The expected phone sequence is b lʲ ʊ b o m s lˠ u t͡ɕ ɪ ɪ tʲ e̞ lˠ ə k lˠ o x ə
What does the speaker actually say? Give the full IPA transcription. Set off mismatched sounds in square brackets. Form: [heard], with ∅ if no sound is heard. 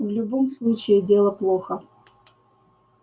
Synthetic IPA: [v] lʲ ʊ b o m s lˠ u t͡ɕ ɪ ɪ [dʲ] e̞ lˠ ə [p] lˠ o x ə